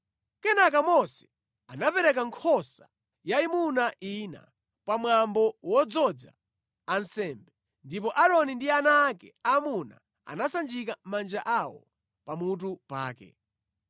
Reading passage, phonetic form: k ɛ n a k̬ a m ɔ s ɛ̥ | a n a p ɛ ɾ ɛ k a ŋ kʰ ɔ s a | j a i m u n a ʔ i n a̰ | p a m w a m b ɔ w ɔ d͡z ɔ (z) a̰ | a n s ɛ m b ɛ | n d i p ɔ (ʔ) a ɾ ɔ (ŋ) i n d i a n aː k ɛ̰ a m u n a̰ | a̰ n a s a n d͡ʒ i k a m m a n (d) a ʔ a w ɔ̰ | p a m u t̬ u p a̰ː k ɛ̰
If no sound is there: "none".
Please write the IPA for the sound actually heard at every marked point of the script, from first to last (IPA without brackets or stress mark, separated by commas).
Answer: d͡z, ʔ, n, d͡ʒ